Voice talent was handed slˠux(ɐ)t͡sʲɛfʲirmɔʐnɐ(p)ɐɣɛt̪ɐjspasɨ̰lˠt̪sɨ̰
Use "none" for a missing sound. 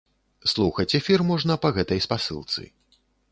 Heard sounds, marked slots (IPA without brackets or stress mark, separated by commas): ɐ, p